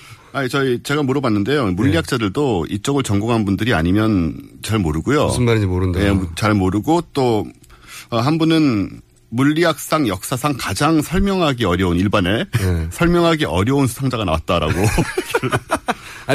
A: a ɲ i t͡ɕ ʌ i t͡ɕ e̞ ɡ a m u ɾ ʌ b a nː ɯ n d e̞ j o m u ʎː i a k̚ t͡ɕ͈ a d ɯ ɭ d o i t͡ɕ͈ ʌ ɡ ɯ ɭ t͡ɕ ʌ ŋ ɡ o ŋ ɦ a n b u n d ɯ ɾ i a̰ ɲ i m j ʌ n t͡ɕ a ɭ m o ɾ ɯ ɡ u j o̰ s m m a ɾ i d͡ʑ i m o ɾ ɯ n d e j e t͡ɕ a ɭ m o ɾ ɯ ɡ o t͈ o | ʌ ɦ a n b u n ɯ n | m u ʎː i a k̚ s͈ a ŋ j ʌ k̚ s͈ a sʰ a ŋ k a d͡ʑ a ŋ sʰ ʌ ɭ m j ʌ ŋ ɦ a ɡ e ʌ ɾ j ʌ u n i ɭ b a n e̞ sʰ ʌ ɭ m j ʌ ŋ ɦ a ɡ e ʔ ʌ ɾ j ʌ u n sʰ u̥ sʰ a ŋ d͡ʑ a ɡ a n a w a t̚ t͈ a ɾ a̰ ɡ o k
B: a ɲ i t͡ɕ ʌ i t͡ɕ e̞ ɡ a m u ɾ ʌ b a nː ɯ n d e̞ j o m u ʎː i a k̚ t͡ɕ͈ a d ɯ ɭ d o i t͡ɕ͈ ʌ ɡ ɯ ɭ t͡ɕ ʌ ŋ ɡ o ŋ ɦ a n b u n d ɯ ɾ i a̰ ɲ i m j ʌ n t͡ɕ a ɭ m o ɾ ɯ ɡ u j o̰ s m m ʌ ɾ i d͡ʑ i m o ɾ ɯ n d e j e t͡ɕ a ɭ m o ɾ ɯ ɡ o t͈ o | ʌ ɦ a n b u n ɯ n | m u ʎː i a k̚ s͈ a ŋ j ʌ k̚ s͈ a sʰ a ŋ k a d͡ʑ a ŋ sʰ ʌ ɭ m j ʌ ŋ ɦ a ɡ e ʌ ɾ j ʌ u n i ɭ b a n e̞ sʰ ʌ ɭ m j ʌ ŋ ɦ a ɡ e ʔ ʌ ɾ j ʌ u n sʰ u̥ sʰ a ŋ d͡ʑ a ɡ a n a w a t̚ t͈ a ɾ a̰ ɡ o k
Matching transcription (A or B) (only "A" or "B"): A